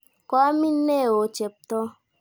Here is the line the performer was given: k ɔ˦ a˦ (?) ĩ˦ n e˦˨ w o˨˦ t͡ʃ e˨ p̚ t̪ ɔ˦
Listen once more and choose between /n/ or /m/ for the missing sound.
m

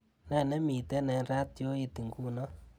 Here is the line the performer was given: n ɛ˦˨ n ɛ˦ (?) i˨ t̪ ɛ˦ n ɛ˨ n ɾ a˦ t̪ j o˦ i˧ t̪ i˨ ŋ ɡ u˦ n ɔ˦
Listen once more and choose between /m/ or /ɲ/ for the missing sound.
m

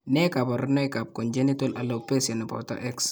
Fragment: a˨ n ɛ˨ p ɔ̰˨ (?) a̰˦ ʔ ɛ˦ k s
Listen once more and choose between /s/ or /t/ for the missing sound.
t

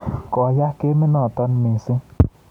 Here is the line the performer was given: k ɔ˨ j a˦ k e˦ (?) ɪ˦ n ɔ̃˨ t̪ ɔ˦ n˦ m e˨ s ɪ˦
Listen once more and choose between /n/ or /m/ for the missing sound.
m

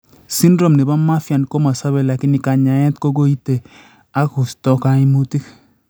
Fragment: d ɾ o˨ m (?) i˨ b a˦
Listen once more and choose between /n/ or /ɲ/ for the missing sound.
n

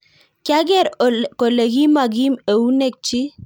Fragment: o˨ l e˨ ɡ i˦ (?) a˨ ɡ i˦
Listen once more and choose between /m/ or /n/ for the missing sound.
m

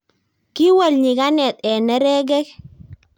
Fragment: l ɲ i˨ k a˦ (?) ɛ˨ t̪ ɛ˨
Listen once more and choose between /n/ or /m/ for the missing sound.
n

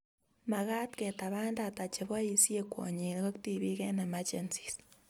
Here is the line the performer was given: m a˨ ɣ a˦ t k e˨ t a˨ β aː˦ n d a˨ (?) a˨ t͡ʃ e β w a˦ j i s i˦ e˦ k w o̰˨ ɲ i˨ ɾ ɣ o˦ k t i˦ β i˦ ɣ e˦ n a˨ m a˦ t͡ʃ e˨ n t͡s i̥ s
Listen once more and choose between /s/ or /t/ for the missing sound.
t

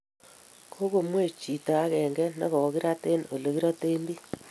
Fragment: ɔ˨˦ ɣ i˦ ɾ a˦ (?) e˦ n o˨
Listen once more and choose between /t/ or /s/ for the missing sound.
t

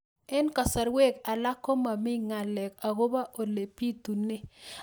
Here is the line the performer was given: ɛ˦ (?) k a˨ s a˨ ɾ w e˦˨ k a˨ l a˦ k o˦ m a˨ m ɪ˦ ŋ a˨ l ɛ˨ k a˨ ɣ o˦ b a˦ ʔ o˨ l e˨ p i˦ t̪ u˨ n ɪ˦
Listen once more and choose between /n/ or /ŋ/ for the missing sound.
n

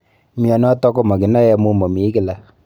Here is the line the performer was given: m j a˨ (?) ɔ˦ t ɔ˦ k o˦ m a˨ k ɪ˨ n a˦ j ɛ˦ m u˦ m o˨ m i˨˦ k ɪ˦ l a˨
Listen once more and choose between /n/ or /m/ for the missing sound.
n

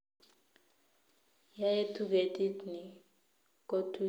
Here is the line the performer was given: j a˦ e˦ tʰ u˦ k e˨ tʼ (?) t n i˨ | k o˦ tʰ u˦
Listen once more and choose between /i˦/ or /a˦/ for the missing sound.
i˦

